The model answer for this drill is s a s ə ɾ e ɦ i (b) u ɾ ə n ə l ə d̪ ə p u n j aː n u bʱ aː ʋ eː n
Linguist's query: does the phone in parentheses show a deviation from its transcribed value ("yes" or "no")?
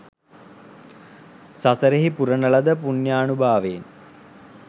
yes